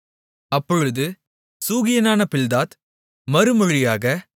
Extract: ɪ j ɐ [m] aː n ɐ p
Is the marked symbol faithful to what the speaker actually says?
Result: no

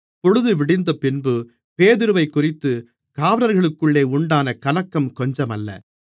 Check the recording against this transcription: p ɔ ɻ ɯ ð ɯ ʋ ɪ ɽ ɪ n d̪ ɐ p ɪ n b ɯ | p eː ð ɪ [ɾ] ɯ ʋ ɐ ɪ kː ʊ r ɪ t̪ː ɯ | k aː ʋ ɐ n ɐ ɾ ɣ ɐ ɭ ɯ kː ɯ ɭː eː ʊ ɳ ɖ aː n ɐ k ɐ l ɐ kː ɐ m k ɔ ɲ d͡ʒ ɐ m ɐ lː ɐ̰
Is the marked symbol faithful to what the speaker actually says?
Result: yes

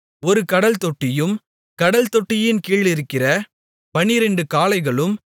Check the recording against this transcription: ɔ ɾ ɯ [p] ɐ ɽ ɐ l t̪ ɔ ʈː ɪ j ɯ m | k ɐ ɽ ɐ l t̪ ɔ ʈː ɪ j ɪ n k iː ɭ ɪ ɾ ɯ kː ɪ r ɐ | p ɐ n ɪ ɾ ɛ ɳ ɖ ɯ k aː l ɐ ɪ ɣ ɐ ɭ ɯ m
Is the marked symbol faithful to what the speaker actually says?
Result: no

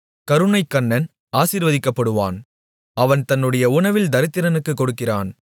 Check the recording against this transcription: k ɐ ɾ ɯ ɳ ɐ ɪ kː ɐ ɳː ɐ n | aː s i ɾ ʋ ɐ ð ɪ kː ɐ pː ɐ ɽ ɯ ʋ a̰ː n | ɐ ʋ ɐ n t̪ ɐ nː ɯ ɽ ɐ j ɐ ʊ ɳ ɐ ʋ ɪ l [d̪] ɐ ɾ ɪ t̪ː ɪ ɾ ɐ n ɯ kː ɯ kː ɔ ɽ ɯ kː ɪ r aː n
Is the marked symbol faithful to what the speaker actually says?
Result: yes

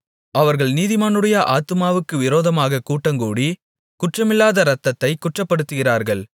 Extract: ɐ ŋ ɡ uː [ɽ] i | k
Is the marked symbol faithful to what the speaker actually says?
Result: yes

